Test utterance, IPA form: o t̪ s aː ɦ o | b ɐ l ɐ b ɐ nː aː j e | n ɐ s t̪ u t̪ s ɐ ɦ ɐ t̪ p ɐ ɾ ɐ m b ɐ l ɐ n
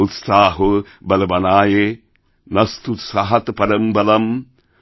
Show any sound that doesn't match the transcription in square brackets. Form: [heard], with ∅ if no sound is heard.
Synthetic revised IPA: [u] t̪ s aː ɦ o | b ɐ l ɐ b ɐ [n] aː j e | n ɐ s t̪ u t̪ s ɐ ɦ ɐ t̪ p ɐ ɾ ɐ m b ɐ l ɐ [m]

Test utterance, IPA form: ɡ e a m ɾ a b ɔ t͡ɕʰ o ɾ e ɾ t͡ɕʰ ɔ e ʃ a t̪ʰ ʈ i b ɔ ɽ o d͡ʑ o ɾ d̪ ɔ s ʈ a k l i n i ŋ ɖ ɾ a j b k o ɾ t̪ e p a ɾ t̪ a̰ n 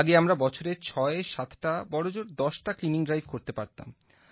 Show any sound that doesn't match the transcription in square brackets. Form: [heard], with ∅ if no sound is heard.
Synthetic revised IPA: ɡ e a m ɾ a b ɔ t͡ɕʰ o ɾ e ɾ t͡ɕʰ ɔ e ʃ a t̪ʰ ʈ [a] b ɔ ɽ o d͡ʑ o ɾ d̪ ɔ [ʃ] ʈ a k l i n i ŋ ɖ ɾ a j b k o ɾ t̪ e p a ɾ t̪ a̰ [m]

